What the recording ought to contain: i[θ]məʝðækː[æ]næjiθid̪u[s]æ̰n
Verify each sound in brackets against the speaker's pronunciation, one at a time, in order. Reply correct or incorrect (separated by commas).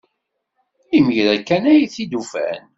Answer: incorrect, correct, incorrect